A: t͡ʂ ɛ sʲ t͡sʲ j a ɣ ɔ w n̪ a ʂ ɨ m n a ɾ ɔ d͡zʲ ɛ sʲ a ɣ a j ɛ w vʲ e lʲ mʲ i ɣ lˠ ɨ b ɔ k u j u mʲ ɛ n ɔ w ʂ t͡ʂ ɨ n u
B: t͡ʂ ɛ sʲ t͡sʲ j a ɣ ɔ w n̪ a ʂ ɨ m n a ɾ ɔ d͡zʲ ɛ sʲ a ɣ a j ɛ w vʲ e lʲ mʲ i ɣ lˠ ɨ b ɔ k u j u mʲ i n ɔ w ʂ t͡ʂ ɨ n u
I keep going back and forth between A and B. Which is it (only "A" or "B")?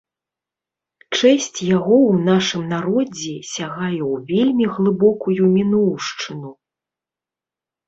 B